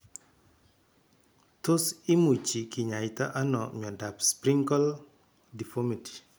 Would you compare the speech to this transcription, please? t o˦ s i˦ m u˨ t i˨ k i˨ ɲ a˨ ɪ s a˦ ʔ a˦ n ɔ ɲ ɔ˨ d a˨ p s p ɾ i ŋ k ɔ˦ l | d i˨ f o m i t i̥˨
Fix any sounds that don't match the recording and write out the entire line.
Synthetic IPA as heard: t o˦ s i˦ m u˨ t͡ʃ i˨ k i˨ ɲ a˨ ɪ t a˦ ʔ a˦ n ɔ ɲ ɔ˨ d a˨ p s p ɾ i ŋ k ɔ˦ l | d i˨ f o m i t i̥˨